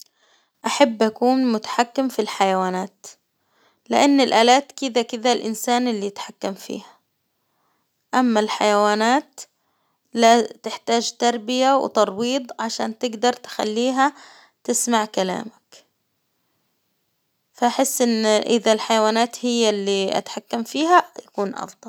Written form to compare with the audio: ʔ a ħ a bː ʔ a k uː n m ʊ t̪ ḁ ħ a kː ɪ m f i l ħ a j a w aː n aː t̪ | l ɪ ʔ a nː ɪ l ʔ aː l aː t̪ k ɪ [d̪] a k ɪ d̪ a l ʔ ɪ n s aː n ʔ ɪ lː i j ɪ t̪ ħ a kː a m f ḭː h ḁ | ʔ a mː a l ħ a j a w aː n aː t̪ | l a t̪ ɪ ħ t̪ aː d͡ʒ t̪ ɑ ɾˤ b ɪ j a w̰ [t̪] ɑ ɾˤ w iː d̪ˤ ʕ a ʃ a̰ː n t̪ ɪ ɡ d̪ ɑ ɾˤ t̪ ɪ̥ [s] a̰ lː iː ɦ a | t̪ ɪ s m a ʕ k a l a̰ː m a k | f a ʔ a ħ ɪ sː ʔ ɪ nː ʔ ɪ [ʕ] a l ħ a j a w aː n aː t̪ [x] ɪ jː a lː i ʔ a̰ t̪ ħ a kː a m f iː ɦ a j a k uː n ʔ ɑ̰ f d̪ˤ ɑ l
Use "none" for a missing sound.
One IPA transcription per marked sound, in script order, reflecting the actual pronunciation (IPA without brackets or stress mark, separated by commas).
d̪, t̪, x, ð, h